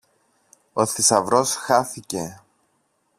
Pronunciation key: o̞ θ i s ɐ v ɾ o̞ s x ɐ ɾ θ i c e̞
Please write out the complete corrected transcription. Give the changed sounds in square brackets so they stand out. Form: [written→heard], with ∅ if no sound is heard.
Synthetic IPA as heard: o̞ θ i s ɐ v ɾ o̞ s x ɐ [ɾ→∅] θ i c e̞